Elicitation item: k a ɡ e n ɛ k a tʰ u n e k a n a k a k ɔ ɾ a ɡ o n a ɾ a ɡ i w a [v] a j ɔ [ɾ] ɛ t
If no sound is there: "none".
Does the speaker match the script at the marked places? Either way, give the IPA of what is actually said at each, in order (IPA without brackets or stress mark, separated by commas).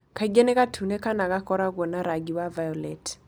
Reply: v, l